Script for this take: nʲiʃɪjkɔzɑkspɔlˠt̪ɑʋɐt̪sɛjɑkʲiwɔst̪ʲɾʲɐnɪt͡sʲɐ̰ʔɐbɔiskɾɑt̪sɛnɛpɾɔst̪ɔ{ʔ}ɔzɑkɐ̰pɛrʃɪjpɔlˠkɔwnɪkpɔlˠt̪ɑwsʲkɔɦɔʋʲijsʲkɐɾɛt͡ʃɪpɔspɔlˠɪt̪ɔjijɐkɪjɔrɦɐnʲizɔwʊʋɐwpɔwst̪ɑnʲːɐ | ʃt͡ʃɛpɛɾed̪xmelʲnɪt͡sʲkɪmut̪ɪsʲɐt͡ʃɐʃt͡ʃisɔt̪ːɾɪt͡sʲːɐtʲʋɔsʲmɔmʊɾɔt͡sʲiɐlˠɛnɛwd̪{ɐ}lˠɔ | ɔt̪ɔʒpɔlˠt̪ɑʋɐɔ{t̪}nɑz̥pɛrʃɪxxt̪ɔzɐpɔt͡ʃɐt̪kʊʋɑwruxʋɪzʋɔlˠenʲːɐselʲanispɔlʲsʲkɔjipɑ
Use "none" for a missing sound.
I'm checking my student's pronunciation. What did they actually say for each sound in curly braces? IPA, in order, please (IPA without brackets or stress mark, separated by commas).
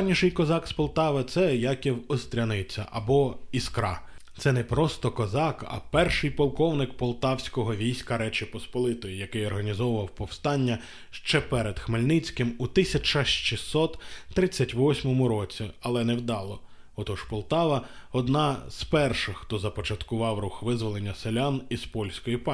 k, ɑ, d̪